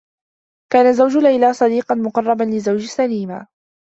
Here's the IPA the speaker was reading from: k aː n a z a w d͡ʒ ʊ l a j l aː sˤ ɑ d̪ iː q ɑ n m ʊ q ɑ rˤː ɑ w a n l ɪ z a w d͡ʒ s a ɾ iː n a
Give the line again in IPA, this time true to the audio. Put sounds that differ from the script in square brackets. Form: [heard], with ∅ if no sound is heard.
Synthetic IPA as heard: k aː n a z a w d͡ʒ ʊ l a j l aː sˤ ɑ d̪ iː q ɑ n m ʊ q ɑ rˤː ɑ [b] a n l ɪ z a w d͡ʒ s a [l] iː [m] a